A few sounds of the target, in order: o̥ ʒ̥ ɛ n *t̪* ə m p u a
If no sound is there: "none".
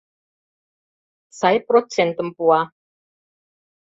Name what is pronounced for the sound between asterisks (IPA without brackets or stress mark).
t̪